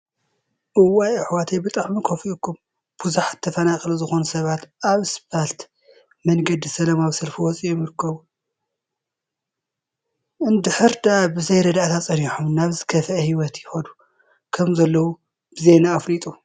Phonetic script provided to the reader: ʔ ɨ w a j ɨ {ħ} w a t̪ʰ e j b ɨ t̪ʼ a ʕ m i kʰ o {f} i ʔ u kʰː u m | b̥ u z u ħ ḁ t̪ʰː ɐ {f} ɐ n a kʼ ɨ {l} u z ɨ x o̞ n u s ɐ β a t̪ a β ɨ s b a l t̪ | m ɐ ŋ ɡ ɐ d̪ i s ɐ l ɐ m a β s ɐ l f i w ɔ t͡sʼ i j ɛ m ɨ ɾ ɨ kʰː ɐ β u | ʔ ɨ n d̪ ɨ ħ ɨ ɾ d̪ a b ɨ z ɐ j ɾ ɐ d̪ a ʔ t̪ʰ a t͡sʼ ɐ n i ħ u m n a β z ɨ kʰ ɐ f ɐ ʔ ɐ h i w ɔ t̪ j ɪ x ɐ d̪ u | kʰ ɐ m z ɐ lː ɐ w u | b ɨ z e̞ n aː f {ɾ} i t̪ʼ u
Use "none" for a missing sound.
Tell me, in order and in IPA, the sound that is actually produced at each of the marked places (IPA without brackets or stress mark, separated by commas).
ħ, f, f, l, l